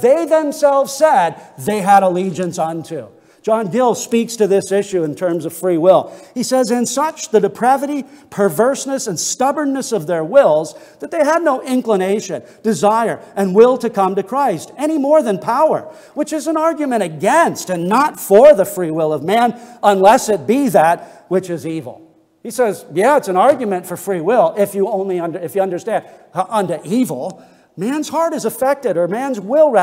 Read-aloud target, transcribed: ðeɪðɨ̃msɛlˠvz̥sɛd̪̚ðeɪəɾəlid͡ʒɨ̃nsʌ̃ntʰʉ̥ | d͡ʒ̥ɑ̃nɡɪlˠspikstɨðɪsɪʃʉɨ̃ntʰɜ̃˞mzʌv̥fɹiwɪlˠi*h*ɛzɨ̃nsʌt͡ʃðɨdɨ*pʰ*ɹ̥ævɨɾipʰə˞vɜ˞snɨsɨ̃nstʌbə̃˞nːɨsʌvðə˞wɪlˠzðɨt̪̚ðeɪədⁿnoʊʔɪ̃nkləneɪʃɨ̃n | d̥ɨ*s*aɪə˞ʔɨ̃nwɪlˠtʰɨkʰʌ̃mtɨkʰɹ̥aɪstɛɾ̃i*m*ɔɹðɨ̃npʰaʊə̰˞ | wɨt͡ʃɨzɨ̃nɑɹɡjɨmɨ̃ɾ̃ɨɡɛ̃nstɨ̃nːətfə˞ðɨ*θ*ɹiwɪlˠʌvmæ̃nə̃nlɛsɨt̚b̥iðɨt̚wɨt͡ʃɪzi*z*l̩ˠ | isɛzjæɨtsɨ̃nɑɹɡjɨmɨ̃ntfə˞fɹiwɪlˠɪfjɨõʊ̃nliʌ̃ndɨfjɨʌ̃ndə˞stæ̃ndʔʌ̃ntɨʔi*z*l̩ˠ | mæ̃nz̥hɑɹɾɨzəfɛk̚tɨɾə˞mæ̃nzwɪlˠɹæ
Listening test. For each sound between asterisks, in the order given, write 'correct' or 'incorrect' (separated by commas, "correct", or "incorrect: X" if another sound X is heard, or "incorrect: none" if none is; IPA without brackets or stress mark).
incorrect: s, correct, incorrect: z, correct, incorrect: f, incorrect: v, incorrect: v